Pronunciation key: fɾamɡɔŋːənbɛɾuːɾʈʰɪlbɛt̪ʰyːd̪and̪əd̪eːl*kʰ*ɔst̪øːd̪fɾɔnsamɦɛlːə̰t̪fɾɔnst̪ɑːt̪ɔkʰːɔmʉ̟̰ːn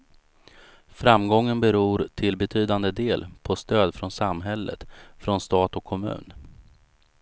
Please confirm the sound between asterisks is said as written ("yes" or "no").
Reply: no